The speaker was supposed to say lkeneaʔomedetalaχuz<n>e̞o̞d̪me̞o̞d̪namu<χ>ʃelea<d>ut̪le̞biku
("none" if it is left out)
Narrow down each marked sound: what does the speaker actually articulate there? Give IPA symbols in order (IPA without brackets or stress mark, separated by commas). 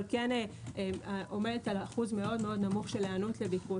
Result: m, χ, n